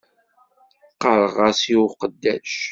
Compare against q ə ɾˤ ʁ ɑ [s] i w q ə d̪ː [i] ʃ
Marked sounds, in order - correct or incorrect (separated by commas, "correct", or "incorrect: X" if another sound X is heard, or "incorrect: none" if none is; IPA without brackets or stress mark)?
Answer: correct, incorrect: æ